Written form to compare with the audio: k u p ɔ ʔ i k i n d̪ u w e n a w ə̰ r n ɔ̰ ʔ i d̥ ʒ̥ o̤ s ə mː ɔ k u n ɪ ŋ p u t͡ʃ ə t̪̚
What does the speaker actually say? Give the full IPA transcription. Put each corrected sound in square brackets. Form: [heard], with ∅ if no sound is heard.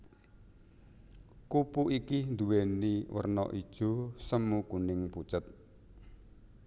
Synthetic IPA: k u p [u] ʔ i k i n d̪ u w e n [i] w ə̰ r n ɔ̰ ʔ i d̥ ʒ̥ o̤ s ə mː [u] k u n ɪ ŋ p u t͡ʃ ə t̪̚